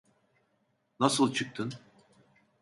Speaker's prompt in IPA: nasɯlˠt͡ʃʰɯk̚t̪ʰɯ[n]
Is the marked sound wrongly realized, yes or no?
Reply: no